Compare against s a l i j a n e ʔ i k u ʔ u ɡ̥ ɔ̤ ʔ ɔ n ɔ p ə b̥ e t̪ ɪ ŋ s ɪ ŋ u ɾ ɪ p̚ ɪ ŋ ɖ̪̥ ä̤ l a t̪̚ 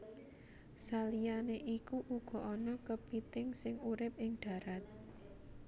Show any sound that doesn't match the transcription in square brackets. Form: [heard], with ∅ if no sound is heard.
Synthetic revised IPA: s a l i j a n e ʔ i k u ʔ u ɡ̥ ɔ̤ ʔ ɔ n ɔ [k] ə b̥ [i] t̪ ɪ ŋ s ɪ ŋ u ɾ ɪ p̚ ɪ ŋ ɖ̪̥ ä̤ [ɾ] a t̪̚